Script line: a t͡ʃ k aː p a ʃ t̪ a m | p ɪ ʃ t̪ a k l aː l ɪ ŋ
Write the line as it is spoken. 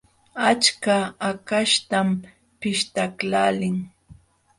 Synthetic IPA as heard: a t͡ʃ k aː k a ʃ t̪ a m | p ɪ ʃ t̪ a k l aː l ɪ ŋ